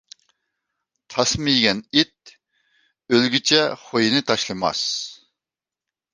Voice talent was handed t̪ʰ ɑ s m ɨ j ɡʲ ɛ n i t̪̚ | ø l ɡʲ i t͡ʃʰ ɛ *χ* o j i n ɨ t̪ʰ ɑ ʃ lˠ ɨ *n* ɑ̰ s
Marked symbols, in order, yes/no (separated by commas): yes, no